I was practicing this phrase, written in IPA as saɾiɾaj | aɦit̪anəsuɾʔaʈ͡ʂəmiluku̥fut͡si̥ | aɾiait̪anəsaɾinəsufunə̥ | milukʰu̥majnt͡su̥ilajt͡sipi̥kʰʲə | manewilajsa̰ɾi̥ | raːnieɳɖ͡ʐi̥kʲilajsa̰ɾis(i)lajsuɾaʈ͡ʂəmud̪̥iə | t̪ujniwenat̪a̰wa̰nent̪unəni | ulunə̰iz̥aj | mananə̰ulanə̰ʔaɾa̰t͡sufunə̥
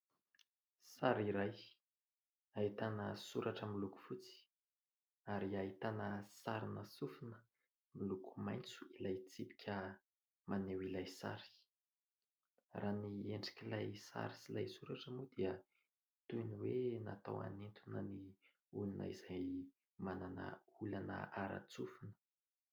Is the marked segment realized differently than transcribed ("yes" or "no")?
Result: no